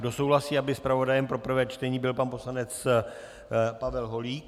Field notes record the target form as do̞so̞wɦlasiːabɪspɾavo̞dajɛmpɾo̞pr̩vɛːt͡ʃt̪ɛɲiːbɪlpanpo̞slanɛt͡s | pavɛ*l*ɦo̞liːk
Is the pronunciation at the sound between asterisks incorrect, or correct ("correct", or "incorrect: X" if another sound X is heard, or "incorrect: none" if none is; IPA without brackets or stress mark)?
correct